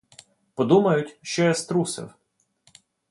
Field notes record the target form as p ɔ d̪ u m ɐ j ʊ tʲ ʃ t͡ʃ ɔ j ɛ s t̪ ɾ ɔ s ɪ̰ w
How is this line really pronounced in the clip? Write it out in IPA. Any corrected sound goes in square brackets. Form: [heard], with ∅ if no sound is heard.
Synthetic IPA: p ɔ d̪ u m ɐ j ʊ tʲ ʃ t͡ʃ ɔ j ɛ s t̪ ɾ [u] s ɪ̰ w